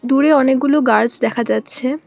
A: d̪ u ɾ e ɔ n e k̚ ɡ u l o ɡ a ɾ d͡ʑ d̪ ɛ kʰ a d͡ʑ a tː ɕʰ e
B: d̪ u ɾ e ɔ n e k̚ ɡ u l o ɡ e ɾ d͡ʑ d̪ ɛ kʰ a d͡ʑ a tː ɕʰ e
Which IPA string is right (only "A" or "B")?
A